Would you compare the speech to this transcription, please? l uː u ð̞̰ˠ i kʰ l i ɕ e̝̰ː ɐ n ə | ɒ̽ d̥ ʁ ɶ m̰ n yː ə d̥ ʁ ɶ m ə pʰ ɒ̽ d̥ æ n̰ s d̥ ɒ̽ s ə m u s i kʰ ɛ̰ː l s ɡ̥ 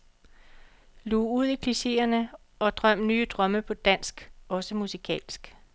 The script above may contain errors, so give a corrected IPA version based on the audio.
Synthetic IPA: l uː u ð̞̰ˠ i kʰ l i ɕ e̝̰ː ɐ n ə | ɒ̽ d̥ ʁ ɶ m̰ n yː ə d̥ ʁ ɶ m ə pʰ ɒ̽ d̥ æ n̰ s ɡ̥ ɒ̽ s ə m u s i kʰ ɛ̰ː l s ɡ̥

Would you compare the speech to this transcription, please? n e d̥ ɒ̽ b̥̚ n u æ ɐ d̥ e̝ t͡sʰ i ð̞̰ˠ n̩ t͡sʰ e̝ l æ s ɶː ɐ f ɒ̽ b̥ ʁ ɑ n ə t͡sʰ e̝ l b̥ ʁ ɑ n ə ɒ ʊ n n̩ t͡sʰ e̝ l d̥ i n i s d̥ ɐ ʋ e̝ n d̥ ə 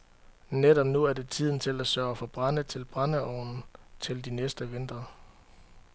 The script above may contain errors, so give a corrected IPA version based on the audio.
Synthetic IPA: n e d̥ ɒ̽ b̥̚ n u æ ɐ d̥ e̝ t͡sʰ i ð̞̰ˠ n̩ t͡sʰ e̝ l æ s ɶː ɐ f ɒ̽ b̥ ʁ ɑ n ə t͡sʰ e̝ l b̥ ʁ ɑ n ə ɒ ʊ n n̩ t͡sʰ e̝ l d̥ i n e s d̥ ə ʋ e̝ n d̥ ɐ

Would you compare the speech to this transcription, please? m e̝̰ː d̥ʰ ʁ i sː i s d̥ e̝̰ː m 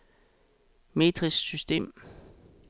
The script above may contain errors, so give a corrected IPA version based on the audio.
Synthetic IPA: m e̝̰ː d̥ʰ ʁ i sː y s d̥ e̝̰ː m

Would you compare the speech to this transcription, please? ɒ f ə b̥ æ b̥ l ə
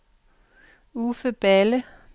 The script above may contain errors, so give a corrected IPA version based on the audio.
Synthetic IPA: u f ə b̥ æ l ə

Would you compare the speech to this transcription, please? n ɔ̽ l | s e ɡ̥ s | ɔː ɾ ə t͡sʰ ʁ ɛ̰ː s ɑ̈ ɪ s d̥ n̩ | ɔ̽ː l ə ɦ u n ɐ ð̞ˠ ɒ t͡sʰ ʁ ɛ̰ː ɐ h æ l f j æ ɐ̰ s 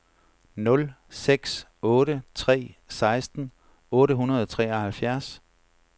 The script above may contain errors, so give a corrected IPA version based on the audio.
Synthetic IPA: n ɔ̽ l | s e ɡ̥ s | ɔː ɾ ə t͡sʰ ʁ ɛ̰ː s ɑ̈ ɪ s d̥ n̩ | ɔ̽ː ɾ ə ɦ u n ɐ ð̞ˠ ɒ t͡sʰ ʁ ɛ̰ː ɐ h æ l f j æ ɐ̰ s

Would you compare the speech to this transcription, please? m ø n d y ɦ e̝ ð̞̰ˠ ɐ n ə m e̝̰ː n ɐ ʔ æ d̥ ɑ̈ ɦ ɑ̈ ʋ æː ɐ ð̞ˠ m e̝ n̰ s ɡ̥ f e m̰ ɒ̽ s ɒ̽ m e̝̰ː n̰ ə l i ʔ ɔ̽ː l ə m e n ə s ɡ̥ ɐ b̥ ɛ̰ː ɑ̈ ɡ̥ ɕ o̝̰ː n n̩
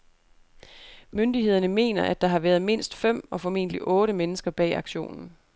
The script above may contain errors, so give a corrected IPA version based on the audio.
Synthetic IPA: m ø n d i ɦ e̝ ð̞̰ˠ ɐ n ə m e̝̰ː n ɐ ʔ æ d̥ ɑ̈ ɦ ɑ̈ ʋ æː ɐ ð̞ˠ m e̝ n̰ s d̥ f e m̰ ɒ̽ f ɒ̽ m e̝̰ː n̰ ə l i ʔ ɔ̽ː ɾ ə m e n ə s ɡ̥ ɐ b̥ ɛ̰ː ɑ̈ ɡ̥ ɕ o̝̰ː n n̩

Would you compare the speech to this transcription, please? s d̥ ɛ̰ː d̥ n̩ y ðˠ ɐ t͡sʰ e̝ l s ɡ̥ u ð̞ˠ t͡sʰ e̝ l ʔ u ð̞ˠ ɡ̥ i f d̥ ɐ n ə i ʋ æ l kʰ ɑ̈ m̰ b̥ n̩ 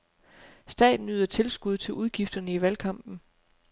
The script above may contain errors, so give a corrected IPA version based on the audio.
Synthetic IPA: s d̥ ɛ̰ː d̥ n̩ y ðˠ ɐ t͡sʰ e̝ l s ɡ̥ u ð̞ˠ t͡sʰ e̝ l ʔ u ð̞ˠ ɡ̥ i f d̥ ɐ n ə i ʋ æ l kʰ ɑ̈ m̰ b̥ n̩

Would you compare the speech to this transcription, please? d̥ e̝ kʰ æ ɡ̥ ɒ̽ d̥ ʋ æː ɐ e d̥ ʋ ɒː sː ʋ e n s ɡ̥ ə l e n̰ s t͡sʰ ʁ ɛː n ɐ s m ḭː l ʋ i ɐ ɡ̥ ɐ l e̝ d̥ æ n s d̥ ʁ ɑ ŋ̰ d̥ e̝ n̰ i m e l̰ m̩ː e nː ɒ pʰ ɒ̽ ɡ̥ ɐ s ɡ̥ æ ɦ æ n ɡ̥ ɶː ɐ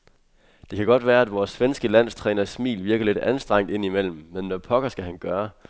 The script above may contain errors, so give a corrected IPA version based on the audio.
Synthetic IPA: d̥ e̝ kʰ æ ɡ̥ ɒ̽ d̥ ʋ æː ɐ æ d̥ ʋ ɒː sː ʋ e n s ɡ̥ ə l æ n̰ s t͡sʰ ʁ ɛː n ɐ s m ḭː l ʋ i ɐ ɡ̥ ɐ l e̝ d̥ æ n s d̥ ʁ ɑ ŋ̰ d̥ e̝ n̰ i m e l̰ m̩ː e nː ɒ pʰ ɒ̽ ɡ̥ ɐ s ɡ̥ æ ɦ æ n ɡ̥ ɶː ɐ

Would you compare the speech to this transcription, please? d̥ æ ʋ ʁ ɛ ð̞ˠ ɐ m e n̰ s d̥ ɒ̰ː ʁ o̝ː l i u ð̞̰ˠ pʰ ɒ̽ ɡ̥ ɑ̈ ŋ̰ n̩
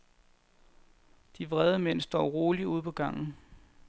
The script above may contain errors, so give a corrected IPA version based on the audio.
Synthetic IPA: d̥ i ʋ ʁ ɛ ð̞ˠ ə m e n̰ s d̥ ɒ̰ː ʁ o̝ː l i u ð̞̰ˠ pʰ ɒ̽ ɡ̥ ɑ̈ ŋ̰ n̩

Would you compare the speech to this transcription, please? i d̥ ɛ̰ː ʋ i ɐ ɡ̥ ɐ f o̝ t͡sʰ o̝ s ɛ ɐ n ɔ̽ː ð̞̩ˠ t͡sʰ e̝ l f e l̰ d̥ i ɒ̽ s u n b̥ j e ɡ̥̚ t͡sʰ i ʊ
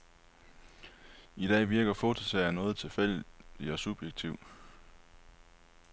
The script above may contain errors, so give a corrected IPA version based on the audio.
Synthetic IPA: i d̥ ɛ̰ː ʋ i ɐ ɡ̥ ɐ f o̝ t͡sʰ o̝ s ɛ ɐ n ɔ̽ː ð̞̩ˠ t͡sʰ e̝ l f e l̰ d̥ i ɒ̽ s u b̥ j e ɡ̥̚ t͡sʰ i ʊ

